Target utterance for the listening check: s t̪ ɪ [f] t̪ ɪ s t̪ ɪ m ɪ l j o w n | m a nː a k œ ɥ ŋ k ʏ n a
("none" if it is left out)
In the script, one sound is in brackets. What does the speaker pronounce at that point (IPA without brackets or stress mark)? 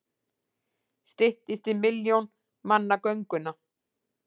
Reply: h